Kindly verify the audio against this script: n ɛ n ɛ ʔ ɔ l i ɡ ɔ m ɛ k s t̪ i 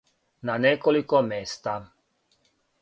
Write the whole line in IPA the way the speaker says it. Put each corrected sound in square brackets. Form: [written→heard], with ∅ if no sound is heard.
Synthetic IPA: n [ɛ→a] n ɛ [ʔ→k] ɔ l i [ɡ→k] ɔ m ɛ [k→∅] s t̪ [i→a]